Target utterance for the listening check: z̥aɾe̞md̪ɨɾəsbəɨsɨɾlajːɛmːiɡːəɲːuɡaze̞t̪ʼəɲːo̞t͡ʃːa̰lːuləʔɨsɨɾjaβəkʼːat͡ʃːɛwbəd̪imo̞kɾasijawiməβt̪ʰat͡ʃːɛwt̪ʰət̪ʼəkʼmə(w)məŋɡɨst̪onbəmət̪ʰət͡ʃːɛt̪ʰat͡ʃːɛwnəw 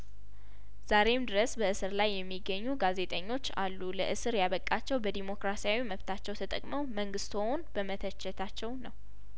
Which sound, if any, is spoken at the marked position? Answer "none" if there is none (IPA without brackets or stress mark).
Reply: w